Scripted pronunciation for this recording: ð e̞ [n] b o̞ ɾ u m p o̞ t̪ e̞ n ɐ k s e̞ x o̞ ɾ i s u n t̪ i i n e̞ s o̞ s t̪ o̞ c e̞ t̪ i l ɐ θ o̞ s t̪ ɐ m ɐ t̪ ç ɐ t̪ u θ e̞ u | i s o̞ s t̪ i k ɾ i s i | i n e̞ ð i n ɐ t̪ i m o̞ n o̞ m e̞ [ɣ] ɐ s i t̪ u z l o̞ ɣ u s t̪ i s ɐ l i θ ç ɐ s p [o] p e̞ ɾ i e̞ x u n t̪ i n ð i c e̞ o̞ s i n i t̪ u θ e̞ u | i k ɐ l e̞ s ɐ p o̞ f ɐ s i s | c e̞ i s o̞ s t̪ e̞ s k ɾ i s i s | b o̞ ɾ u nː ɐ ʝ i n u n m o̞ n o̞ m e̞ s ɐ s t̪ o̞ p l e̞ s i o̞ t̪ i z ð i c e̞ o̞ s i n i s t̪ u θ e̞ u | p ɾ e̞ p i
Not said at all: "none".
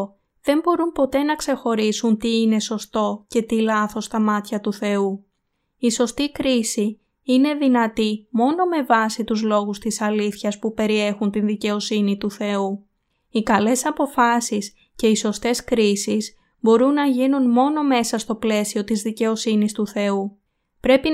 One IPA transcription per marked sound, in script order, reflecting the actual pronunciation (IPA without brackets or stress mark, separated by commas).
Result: m, v, u